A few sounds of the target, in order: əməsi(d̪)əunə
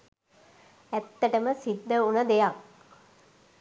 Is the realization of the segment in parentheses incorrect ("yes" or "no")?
yes